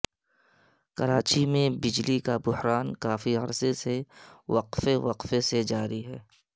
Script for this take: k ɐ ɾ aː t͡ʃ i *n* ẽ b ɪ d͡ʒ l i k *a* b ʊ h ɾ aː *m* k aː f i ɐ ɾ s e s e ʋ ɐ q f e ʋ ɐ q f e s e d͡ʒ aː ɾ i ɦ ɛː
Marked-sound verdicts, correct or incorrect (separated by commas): incorrect, correct, incorrect